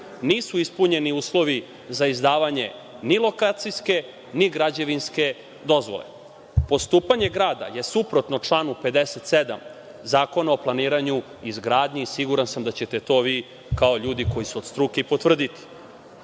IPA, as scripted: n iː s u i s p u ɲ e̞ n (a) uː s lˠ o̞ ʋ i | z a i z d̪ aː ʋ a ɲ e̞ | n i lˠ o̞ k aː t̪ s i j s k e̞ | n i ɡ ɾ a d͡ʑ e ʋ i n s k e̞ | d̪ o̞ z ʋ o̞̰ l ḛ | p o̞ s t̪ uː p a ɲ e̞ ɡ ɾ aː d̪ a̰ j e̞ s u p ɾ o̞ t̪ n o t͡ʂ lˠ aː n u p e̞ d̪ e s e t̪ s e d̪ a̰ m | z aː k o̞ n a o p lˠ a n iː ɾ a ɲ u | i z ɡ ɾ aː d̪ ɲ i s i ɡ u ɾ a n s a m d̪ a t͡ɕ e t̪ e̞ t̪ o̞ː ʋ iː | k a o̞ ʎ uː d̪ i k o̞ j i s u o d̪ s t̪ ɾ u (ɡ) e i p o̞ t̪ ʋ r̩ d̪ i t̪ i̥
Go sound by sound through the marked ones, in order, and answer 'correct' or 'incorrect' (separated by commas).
incorrect, incorrect